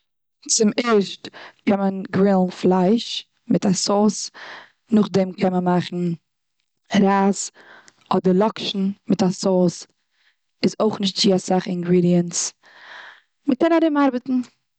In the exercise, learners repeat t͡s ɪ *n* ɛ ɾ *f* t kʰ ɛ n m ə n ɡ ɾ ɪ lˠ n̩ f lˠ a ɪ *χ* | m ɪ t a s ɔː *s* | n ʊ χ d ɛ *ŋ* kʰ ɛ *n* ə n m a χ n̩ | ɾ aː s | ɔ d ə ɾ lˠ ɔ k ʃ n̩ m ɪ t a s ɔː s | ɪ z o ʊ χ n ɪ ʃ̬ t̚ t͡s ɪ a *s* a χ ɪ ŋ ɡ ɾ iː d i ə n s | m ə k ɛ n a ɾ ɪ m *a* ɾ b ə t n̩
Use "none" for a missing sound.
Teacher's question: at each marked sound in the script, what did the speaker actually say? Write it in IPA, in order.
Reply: m, ʃ, ʃ, s, m, m, s, a

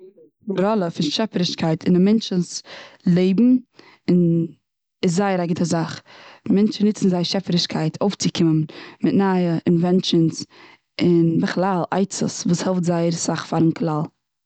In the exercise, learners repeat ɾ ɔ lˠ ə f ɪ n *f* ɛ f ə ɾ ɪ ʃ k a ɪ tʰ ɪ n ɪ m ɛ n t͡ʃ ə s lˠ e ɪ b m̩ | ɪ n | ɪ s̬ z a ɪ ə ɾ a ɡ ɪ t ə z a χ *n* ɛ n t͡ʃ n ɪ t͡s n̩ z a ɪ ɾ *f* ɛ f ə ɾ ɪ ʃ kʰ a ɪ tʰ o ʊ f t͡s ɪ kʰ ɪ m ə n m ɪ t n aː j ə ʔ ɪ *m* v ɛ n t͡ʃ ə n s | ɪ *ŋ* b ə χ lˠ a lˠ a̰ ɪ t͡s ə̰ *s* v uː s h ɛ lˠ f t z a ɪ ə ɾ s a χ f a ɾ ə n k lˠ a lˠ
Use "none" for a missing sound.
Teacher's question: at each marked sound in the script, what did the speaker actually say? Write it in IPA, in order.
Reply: ʃ, m, ʃ, n, n, s

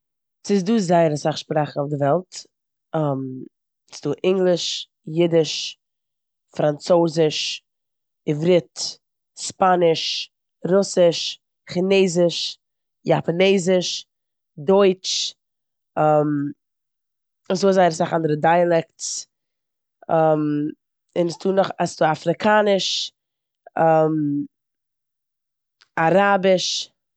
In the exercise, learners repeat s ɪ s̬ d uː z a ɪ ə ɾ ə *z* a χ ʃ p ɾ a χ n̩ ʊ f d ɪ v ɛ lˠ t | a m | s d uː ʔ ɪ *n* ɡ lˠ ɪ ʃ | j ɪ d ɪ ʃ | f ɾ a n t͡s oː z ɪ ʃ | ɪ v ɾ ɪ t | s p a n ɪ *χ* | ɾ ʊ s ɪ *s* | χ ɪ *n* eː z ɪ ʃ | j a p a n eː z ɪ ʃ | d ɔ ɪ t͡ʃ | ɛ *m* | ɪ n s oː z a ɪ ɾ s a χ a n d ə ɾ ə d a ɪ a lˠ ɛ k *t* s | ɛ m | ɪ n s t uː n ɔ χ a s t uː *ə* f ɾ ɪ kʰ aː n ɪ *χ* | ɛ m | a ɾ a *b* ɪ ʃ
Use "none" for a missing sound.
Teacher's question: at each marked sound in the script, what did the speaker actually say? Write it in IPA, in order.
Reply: s, ŋ, ʃ, ʃ, n, m, t, a, ʃ, b

